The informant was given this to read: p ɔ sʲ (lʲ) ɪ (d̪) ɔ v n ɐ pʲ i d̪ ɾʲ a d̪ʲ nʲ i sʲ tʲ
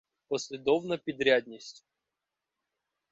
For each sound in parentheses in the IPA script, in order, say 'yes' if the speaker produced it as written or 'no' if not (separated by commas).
yes, yes